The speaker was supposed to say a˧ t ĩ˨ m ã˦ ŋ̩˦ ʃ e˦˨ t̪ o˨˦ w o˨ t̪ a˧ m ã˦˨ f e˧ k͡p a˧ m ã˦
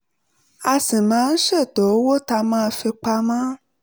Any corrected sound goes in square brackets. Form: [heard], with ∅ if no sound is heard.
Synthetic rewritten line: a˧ [s] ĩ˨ m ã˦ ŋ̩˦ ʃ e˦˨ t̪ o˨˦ w [o˦] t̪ a˧ m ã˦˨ f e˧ k͡p a˧ m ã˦